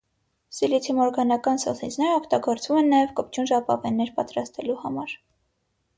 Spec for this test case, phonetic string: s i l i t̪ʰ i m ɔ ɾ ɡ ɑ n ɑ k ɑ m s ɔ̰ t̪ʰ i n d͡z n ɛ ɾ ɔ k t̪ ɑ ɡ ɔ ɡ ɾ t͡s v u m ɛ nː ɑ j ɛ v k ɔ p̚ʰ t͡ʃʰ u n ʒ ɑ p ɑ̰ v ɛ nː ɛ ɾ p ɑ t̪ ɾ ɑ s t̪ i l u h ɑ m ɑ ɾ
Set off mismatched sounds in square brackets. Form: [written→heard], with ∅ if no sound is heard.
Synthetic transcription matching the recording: s i l i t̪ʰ i m ɔ ɾ ɡ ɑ n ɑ k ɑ [m→n] s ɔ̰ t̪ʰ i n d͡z n ɛ ɾ ɔ k t̪ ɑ ɡ ɔ [ɡ→∅] ɾ t͡s v u m ɛ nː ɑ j ɛ v k ɔ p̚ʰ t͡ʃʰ u n ʒ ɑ p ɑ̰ v ɛ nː ɛ ɾ p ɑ t̪ ɾ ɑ s t̪ [i→ɛ] l u h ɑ m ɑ ɾ